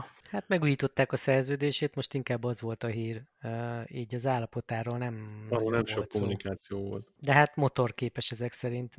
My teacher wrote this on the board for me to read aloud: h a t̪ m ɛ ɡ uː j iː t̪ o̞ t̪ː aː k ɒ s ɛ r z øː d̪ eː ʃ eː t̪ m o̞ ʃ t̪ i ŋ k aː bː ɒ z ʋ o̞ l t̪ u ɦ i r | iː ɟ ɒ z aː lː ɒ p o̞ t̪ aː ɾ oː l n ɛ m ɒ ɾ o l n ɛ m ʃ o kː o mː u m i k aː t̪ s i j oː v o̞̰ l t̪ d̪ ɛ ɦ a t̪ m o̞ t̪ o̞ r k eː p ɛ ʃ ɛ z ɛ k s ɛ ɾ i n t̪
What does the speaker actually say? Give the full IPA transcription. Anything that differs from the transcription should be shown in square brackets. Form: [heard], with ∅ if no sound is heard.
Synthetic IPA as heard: h a t̪ m ɛ ɡ uː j iː t̪ o̞ t̪ː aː k ɒ s ɛ r z øː d̪ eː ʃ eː t̪ m o̞ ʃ t̪ i ŋ k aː bː ɒ z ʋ o̞ l t̪ [ɒ] ɦ [iː] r | iː ɟ ɒ z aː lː ɒ p o̞ t̪ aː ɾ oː l n ɛ m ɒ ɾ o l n ɛ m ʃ o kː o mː u [n] i k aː t̪ s i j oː v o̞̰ l t̪ d̪ ɛ ɦ a t̪ m o̞ t̪ o̞ r k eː p ɛ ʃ ɛ z ɛ k s ɛ ɾ i n t̪